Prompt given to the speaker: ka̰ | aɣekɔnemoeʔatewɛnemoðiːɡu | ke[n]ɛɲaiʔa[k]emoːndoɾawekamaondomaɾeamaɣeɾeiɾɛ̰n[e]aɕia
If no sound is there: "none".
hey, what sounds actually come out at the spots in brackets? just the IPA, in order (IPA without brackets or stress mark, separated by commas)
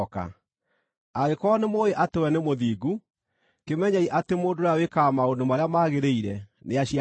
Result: m, t, e